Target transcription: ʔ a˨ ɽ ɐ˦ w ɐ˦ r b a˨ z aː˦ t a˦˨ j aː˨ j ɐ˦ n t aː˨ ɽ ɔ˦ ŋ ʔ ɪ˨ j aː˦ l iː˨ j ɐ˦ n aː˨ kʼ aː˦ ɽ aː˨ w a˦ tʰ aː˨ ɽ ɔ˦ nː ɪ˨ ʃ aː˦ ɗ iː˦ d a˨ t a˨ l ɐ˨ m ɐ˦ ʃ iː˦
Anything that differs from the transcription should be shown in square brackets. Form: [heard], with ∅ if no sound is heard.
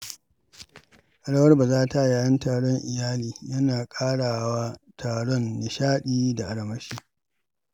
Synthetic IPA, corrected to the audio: ʔ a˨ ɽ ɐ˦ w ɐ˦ r b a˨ z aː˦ t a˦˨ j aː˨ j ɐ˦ n t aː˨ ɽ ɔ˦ ŋ ʔ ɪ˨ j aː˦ l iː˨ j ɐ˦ n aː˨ kʼ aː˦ ɽ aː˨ w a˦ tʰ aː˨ ɽ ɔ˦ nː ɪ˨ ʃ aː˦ ɗ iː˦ d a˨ [ʔ] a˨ [ɽ] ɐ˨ m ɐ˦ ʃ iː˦

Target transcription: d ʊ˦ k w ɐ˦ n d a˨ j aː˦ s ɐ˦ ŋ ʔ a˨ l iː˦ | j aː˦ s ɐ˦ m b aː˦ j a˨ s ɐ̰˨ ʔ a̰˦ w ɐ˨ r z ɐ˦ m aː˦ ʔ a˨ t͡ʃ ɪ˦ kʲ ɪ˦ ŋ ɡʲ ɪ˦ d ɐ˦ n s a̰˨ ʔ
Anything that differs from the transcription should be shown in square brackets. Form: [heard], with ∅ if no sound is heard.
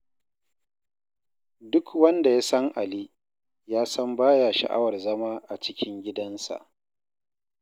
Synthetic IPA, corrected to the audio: d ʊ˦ k w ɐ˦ n d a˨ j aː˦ s ɐ˦ ŋ ʔ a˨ l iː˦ | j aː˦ s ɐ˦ m b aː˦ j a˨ [ʃ] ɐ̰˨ ʔ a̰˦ w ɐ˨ r z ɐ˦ m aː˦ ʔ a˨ t͡ʃ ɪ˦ kʲ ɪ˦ ŋ ɡʲ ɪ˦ d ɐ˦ n s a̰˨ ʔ

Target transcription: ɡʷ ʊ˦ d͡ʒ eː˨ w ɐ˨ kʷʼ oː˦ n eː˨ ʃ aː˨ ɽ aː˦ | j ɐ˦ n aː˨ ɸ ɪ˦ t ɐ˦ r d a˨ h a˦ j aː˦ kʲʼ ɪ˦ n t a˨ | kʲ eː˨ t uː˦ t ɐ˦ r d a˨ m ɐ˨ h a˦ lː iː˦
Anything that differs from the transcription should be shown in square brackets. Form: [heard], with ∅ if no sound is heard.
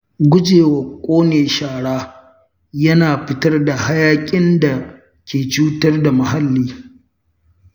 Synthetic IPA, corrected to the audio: ɡʷ ʊ˦ d͡ʒ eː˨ w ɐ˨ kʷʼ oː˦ n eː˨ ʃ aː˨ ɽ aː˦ | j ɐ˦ n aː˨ ɸ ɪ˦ t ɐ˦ r d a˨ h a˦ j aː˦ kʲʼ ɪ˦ n [d] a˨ | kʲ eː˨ [t͡ʃ] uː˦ t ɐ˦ r d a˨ m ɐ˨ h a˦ lː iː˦

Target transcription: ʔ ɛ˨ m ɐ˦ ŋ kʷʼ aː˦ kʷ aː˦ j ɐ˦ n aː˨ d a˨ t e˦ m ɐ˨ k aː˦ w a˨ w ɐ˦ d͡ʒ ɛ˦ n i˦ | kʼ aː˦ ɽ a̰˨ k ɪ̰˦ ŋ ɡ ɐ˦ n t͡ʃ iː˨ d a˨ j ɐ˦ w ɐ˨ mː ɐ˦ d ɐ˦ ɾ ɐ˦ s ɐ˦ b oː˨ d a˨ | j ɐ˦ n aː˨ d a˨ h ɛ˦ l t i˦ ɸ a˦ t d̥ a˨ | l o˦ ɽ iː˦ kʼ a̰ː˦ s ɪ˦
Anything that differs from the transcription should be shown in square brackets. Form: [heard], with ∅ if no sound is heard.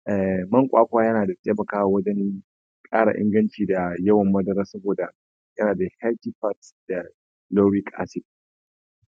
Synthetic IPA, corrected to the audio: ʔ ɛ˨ m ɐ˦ ŋ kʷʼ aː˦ kʷ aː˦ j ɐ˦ n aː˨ d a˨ t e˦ m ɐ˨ k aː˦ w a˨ w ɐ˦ d͡ʒ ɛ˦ n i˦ | kʼ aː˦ ɽ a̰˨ [ʔ] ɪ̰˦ ŋ ɡ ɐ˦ n t͡ʃ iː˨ d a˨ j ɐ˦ w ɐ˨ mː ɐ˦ d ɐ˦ ɾ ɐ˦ s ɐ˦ b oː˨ d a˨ | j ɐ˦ n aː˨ d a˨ h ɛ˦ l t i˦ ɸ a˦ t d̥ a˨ | l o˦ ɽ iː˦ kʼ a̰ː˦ s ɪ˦

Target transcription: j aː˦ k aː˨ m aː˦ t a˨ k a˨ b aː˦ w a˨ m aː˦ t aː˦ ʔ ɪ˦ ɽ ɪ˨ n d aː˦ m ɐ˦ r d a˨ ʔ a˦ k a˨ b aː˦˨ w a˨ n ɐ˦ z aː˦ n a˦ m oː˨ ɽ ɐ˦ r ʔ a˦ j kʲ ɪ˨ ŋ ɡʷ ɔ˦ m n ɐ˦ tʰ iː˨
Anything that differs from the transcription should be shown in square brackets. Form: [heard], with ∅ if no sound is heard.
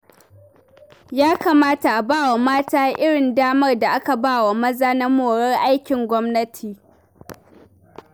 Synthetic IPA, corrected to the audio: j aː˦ k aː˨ m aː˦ t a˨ [ʔ] a˨ b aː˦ w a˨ m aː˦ t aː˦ ʔ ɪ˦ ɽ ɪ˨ n d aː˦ m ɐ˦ r d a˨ ʔ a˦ k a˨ b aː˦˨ w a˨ [m] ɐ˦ z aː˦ n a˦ m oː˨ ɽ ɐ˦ r ʔ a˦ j kʲ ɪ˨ ŋ ɡʷ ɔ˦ m n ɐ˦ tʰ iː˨

